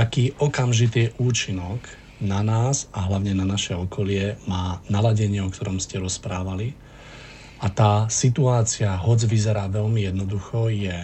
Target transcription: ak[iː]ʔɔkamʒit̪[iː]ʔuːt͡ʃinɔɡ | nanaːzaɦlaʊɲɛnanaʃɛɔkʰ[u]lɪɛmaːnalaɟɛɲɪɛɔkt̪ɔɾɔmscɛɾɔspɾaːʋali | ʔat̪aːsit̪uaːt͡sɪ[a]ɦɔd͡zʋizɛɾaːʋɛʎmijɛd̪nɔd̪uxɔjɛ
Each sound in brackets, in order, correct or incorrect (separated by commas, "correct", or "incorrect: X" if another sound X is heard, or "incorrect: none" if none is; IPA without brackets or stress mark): correct, correct, incorrect: ɔ, correct